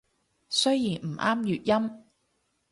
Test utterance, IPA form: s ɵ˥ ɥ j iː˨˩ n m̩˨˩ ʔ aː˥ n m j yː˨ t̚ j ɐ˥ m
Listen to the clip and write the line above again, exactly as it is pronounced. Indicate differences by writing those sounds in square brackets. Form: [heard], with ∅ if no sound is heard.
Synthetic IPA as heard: s ɵ˥ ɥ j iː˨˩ n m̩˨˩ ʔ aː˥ [∅] m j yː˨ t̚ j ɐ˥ m